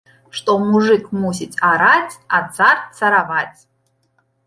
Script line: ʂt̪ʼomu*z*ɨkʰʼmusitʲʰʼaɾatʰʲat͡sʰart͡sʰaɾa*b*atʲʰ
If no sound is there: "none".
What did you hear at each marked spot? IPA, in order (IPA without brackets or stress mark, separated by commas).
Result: ʐ, v